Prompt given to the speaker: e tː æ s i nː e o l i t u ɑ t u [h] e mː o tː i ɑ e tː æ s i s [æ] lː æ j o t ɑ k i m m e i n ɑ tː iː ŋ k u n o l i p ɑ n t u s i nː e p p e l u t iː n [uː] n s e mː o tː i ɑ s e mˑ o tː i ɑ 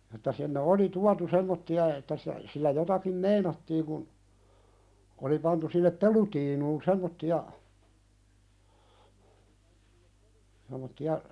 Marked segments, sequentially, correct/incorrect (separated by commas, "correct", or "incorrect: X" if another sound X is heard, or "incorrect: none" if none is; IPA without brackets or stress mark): incorrect: s, incorrect: i, correct